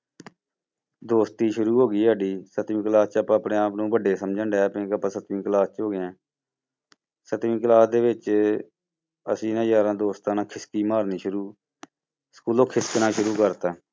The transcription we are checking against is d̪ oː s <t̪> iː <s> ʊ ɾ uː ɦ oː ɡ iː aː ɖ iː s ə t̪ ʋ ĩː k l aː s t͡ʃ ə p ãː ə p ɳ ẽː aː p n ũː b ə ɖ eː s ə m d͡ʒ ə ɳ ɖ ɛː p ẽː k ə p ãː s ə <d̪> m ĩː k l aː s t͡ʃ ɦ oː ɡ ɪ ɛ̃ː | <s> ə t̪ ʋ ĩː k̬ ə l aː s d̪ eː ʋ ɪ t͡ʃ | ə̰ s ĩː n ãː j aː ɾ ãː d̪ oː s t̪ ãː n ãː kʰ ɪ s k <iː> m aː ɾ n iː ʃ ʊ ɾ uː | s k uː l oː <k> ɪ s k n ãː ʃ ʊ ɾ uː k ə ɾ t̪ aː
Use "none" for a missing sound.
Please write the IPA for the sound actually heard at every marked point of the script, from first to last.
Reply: t̪, ʃ, t̪, s, iː, kʰ

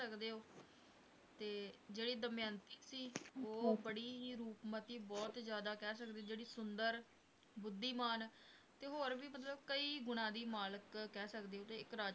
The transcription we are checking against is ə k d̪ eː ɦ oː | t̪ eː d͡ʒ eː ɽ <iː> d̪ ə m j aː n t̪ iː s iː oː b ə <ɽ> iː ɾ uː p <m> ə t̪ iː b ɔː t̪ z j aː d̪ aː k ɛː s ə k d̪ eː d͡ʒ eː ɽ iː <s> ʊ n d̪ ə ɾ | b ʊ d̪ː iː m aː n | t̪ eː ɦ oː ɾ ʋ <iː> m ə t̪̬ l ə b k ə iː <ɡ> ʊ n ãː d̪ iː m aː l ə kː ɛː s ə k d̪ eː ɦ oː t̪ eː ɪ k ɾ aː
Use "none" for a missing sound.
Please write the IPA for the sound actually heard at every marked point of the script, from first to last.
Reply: iː, ɽ, m, s, iː, ɡ

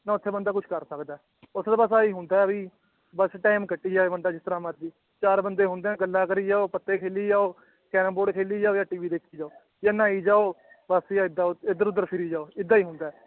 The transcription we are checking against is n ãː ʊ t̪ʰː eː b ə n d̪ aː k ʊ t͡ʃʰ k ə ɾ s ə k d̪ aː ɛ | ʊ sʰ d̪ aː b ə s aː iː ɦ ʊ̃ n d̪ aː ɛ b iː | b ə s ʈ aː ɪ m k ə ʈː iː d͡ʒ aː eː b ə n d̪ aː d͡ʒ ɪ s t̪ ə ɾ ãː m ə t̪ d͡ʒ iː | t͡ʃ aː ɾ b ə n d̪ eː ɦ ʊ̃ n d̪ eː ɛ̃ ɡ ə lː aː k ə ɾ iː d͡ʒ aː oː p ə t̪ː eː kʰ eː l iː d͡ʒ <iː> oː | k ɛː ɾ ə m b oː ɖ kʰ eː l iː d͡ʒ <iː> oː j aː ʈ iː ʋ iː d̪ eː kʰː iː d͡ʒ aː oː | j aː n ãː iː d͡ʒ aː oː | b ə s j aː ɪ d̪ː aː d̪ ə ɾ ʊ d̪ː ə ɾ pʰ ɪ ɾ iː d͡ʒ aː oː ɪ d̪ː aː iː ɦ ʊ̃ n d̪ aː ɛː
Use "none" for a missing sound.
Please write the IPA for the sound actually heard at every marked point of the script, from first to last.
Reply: aː, aː

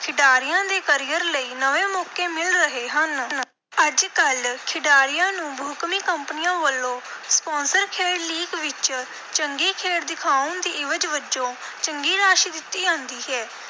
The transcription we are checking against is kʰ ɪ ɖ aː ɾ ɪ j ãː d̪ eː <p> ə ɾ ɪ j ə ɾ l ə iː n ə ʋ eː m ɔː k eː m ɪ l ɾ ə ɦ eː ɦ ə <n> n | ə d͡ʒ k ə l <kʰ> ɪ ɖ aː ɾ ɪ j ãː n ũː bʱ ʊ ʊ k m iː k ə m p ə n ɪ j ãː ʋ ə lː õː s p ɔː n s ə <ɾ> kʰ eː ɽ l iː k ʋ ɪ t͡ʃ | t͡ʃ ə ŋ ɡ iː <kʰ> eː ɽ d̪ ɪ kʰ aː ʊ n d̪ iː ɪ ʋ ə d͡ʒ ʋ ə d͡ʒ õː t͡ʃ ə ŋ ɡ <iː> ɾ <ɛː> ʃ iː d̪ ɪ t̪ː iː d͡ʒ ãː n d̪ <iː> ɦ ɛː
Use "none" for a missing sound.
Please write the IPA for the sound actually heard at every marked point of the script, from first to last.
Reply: k, n, kʰ, ɾ, kʰ, iː, aː, iː

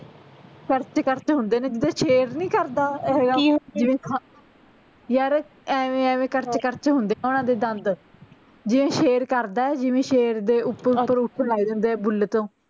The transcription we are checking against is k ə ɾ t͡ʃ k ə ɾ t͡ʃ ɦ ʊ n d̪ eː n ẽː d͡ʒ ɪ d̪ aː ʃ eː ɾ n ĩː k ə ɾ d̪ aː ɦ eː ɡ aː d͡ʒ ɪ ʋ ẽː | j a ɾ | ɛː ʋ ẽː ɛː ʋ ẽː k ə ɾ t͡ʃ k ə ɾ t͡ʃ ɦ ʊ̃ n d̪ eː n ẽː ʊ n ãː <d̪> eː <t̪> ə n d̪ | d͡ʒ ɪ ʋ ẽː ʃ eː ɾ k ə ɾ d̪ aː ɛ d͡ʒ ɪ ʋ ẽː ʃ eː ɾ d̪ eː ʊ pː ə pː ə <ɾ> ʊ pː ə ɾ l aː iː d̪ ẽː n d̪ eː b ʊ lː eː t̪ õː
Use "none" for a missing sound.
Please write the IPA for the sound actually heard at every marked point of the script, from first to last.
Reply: d̪, d̪, ɾ

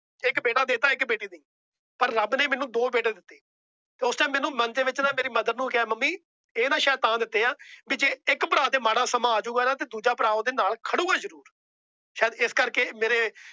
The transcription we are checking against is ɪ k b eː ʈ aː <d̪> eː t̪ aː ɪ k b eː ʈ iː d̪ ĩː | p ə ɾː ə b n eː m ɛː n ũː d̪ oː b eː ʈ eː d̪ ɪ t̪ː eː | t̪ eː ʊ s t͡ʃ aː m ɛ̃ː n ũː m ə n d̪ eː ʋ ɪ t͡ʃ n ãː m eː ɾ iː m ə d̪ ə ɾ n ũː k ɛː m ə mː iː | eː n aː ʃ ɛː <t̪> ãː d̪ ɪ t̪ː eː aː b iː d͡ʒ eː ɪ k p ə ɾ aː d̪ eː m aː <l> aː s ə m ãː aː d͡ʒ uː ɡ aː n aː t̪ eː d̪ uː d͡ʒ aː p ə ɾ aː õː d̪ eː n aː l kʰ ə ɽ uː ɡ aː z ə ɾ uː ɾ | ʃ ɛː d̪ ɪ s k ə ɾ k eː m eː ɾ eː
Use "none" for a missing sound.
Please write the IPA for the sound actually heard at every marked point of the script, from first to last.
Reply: d̪, t̪, ɽ

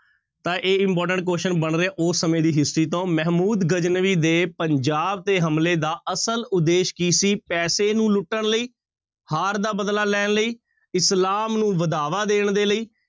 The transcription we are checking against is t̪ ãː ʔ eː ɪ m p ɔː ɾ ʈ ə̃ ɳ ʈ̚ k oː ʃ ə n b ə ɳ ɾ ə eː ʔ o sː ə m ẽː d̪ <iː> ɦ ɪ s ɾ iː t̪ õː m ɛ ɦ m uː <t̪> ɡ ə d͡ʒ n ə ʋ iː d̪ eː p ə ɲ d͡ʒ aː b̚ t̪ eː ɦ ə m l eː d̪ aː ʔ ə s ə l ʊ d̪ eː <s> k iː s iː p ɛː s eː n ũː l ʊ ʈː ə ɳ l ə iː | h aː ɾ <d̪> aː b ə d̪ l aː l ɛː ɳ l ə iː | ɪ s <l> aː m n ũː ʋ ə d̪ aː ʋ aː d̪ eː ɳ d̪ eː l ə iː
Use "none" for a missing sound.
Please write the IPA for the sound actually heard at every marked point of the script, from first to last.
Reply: iː, d̪, ʃ, d̪, l

